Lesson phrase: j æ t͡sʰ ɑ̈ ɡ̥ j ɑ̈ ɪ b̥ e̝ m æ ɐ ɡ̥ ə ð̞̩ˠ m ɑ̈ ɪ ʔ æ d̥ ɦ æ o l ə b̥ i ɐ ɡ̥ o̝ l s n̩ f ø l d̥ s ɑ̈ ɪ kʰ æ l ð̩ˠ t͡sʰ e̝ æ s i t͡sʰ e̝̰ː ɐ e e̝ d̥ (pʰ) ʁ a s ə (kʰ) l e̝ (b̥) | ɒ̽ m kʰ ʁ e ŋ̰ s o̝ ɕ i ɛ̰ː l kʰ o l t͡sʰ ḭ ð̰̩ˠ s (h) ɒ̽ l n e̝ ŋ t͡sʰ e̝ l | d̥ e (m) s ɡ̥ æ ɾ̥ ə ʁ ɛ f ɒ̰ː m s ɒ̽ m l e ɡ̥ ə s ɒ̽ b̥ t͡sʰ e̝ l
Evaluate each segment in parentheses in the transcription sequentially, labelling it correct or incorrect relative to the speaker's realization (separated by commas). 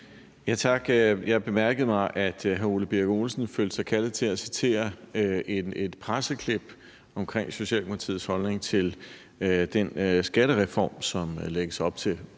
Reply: correct, correct, correct, correct, incorrect